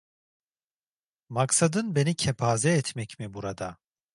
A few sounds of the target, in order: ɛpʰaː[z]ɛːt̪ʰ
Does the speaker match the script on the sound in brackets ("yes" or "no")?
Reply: yes